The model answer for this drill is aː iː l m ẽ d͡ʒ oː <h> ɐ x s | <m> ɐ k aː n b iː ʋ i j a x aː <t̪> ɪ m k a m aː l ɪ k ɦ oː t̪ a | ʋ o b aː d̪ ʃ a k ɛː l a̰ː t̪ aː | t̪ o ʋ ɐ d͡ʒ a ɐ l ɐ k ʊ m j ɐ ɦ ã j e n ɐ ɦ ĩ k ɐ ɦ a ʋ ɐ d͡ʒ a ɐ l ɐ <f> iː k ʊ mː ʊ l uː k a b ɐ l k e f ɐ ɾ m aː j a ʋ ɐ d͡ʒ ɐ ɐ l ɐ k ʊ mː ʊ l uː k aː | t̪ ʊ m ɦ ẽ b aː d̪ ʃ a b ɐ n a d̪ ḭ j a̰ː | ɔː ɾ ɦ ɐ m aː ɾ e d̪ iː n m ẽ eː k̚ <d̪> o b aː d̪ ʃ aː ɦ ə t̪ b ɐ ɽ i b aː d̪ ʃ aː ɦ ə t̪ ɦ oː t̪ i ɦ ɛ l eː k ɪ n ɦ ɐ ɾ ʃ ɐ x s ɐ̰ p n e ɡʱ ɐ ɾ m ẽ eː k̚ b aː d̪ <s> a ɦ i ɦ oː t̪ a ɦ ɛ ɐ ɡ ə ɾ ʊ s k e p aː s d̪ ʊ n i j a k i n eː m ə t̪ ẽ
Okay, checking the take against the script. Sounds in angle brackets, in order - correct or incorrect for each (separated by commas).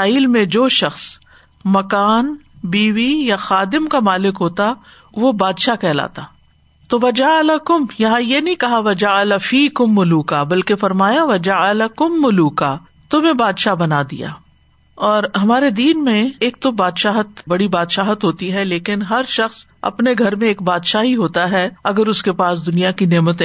incorrect, correct, incorrect, correct, incorrect, incorrect